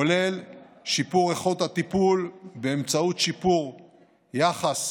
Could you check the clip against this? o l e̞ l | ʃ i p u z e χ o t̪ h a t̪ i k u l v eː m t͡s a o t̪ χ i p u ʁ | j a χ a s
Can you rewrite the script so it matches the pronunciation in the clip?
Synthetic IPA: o l e̞ l | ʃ i p u ʁ e χ o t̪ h a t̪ i p u l b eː m t͡s a u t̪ ʃ i p u ʁ | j a χ a s